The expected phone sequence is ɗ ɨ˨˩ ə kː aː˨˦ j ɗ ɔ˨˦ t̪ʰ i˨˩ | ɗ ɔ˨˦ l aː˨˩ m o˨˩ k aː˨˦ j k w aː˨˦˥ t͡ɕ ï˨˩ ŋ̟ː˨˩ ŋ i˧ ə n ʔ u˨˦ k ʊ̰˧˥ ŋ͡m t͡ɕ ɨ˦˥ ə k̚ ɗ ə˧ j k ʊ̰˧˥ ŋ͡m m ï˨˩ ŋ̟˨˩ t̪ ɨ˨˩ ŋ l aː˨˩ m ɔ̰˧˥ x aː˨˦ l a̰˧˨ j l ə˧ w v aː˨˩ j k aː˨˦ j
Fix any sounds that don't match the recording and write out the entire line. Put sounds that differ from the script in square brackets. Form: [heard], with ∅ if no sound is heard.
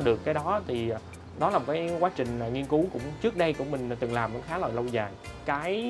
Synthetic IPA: ɗ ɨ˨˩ ə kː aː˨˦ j ɗ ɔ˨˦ t̪ʰ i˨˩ | ɗ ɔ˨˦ l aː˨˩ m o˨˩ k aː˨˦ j k w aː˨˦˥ t͡ɕ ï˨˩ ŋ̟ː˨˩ ŋ i˧ ə n [k] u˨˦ k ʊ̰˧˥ ŋ͡m t͡ɕ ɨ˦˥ ə k̚ ɗ ə˧ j k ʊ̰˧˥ ŋ͡m m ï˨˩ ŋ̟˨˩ t̪ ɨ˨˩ ŋ l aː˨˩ m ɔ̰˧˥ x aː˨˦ l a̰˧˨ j l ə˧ w [z] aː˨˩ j k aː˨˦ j